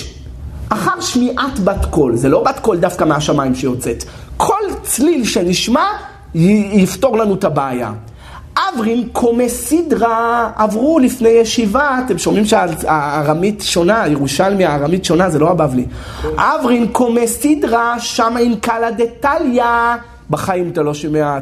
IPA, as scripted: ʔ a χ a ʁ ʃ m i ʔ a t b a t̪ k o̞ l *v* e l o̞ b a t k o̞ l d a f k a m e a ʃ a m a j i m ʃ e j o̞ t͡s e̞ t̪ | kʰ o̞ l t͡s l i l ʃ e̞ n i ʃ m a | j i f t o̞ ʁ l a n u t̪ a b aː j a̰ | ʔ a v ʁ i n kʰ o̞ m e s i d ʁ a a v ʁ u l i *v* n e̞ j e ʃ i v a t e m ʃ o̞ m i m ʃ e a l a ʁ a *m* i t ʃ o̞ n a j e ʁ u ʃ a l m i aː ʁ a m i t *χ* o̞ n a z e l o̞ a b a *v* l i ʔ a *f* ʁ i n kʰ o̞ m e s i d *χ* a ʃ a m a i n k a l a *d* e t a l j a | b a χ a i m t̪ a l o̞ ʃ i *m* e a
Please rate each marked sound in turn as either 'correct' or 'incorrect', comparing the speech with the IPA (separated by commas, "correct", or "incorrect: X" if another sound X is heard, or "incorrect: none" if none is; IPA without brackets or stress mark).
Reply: incorrect: z, incorrect: f, correct, incorrect: ʃ, correct, incorrect: v, incorrect: ʁ, correct, correct